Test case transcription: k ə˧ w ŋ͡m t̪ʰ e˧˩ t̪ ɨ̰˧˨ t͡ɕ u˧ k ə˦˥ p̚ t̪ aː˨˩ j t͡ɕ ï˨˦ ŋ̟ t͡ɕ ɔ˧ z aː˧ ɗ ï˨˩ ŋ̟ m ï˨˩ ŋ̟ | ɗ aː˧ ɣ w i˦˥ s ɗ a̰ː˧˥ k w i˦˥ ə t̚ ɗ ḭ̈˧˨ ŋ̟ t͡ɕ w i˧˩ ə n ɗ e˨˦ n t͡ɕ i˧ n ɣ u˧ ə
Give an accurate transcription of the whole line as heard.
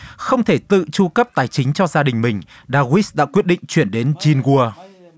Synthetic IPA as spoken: x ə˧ w ŋ͡m t̪ʰ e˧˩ t̪ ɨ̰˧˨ t͡ɕ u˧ k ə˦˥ p̚ t̪ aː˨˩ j t͡ɕ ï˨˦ ŋ̟ t͡ɕ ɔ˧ z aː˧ ɗ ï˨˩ ŋ̟ m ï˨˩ ŋ̟ | ɗ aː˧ ɣ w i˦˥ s ɗ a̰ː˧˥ k w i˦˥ ə t̚ ɗ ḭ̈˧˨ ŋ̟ t͡ɕ w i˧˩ ə n ɗ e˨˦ n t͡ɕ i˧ n ɣ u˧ ə